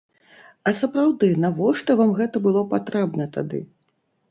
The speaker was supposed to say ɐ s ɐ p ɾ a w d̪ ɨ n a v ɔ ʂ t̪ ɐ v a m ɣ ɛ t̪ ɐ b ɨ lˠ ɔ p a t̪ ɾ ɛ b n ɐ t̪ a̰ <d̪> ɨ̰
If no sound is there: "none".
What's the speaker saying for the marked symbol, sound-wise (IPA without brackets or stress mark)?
d̪